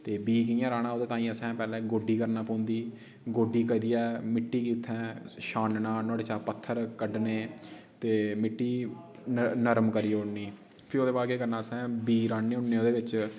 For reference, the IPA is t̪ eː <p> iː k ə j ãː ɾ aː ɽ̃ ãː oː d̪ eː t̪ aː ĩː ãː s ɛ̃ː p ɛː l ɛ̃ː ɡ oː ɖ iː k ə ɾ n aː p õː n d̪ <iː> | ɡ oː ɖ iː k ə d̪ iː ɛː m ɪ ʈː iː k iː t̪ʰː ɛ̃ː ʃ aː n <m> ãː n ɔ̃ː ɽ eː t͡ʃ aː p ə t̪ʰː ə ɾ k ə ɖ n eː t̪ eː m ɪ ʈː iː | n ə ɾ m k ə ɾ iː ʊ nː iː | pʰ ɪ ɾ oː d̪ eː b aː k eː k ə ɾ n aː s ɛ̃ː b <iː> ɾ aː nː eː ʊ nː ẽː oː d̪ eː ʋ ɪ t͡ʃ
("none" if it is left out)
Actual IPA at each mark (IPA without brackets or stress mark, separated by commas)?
b, iː, n, iː